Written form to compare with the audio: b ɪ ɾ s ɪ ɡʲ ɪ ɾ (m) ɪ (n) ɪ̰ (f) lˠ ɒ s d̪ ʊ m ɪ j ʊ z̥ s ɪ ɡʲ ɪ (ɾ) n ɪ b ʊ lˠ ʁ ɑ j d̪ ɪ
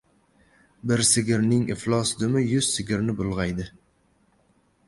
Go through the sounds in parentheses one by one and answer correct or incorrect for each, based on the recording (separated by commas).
incorrect, incorrect, correct, correct